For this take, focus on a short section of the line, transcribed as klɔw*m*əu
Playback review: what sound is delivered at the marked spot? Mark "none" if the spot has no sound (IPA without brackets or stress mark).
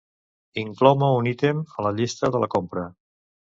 m